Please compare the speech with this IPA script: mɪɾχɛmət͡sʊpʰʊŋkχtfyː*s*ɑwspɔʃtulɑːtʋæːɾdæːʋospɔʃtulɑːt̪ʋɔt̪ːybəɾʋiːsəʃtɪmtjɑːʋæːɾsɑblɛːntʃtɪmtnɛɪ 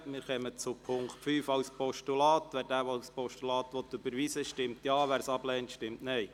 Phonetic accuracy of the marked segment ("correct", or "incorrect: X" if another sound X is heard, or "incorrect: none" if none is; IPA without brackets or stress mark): incorrect: f